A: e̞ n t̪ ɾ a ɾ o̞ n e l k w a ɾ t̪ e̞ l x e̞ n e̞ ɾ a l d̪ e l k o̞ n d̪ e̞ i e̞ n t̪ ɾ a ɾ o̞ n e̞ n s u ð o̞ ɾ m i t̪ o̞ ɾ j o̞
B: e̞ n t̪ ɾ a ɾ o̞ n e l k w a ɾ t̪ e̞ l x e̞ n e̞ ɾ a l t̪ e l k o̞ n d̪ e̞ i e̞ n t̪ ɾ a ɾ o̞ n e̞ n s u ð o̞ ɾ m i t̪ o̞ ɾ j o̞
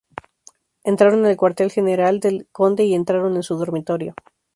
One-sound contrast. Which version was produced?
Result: A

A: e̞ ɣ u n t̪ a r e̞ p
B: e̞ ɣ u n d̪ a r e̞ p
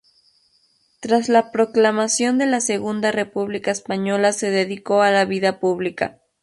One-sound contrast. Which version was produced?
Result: B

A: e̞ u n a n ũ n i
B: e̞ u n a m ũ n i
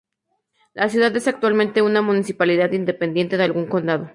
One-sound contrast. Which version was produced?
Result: B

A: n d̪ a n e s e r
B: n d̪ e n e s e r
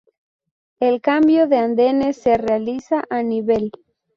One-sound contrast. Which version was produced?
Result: B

